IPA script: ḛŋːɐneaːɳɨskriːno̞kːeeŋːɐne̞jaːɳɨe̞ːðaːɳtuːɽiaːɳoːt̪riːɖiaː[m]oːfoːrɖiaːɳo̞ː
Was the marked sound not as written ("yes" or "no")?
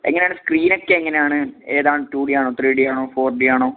yes